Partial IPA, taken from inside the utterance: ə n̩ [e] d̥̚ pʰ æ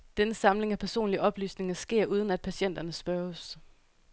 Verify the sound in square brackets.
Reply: incorrect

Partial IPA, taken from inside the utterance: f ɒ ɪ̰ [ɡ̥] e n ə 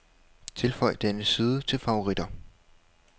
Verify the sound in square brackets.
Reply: incorrect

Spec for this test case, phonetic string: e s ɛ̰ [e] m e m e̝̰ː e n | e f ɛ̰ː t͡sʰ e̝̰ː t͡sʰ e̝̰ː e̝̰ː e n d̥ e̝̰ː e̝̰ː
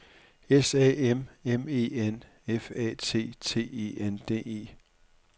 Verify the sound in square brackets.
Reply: correct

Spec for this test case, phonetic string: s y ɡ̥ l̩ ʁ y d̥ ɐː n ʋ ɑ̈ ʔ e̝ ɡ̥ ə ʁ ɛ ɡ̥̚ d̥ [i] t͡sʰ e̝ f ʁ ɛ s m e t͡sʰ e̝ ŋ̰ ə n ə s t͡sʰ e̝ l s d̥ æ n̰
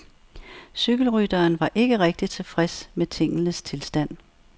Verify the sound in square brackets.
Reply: correct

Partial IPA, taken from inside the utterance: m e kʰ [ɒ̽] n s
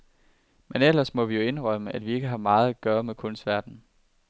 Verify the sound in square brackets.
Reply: incorrect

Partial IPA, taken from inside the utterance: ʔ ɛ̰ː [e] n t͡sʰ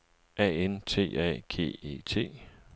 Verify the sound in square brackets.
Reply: correct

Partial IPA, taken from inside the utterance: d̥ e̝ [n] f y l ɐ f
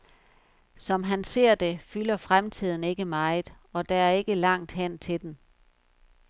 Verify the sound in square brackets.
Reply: incorrect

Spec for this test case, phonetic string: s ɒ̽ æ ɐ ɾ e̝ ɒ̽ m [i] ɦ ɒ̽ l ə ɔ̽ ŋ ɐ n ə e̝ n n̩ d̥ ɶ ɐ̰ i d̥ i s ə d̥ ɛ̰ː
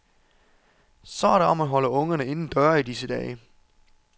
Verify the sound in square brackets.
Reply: incorrect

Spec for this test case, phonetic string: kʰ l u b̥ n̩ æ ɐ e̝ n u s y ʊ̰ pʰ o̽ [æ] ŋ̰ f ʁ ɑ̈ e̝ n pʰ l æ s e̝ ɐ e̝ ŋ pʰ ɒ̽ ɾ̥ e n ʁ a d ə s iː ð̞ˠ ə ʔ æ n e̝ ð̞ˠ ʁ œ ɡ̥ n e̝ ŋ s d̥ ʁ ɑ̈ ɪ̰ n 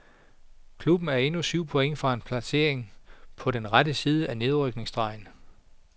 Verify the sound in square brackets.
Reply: incorrect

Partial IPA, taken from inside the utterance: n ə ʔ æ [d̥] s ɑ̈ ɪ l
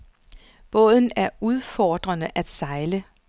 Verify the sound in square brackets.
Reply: correct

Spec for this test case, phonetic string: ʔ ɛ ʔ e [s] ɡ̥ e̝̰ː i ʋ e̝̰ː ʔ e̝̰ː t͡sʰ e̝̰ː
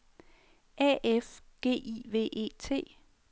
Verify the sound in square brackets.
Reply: incorrect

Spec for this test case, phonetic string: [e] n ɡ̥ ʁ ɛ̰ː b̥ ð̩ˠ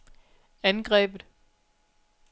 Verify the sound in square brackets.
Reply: incorrect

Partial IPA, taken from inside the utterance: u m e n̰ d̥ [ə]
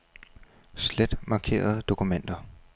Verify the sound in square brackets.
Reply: incorrect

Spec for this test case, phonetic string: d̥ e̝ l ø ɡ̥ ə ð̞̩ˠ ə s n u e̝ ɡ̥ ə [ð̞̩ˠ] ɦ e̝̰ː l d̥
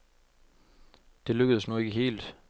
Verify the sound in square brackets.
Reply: incorrect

